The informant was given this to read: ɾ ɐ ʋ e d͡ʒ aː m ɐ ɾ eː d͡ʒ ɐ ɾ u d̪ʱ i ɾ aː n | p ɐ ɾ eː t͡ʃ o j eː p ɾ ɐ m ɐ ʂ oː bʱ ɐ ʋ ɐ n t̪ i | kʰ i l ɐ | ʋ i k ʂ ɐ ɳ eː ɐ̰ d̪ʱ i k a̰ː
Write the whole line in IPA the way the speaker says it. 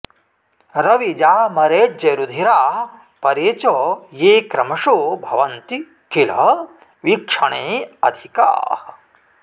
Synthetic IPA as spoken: ɾ ɐ ʋ i d͡ʒ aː m ɐ ɾ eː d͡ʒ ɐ ɾ u d̪ʱ i ɾ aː | p ɐ ɾ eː t͡ʃ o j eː k ɾ ɐ m ɐ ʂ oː bʱ ɐ ʋ ɐ n t̪ i | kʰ i l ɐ | ʋ i k ʂ ɐ ɳ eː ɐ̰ d̪ʱ i k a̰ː